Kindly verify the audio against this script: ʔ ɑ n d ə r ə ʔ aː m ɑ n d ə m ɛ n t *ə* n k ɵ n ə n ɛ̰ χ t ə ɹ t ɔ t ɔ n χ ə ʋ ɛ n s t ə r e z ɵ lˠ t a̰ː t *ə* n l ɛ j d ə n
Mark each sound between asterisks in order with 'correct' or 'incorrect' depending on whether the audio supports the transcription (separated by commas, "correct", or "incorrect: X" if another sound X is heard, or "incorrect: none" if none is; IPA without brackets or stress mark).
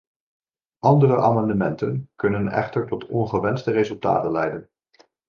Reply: correct, correct